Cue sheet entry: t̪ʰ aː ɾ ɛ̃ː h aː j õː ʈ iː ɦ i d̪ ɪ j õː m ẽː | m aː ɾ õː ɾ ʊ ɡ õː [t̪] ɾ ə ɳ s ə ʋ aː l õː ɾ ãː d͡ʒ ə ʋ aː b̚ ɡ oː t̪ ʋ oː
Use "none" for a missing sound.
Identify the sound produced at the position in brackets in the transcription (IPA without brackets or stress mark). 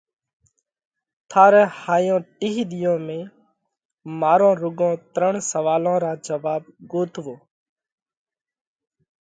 t̪